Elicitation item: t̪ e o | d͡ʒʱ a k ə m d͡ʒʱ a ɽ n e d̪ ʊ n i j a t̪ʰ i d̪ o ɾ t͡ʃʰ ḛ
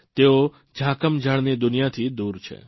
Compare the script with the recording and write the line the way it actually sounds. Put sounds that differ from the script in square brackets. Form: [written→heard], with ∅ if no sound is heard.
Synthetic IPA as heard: t̪ e o | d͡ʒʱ a k ə m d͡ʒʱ a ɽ n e d̪ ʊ n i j a t̪ʰ i d̪ [o→u] ɾ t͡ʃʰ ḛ